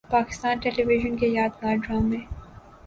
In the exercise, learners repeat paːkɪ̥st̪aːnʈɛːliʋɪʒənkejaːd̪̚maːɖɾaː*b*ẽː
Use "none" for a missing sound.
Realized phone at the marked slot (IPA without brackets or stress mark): m